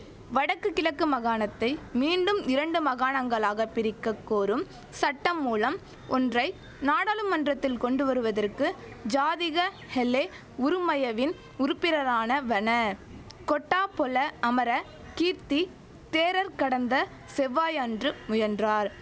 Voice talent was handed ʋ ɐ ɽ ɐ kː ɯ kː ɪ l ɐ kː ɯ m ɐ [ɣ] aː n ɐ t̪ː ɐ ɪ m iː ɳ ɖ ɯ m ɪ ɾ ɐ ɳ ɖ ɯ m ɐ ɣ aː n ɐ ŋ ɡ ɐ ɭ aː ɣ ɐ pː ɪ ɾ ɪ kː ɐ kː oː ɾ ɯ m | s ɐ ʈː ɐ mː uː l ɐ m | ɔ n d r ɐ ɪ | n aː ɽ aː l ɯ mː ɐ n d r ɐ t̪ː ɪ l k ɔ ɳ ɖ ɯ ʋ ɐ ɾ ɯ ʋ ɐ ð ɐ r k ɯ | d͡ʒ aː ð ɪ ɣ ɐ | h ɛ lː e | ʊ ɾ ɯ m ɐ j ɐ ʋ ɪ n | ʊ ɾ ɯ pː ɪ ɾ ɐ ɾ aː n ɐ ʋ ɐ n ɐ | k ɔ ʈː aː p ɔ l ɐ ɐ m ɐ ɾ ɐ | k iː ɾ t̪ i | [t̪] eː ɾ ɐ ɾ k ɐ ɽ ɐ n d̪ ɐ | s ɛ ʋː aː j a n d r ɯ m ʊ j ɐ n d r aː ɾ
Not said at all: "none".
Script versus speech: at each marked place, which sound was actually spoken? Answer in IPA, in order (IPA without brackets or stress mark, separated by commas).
ɣ, t̪